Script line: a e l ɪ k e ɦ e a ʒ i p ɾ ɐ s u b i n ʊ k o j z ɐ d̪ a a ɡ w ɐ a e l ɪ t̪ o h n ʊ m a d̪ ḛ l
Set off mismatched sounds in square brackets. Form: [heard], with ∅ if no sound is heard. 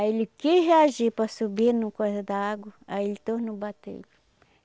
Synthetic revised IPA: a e l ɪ k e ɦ e a ʒ i p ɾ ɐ s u b i n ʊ k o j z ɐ d̪ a a ɡ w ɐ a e l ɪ t̪ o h n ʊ [b] a [t̪] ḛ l